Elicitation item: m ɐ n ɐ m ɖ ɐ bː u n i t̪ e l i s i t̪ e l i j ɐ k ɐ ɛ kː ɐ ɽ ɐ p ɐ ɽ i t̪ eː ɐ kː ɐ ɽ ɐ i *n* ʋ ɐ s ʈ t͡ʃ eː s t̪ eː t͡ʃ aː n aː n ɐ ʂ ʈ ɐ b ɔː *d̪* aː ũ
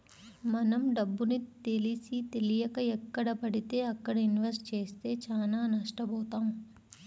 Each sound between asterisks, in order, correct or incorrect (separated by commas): correct, incorrect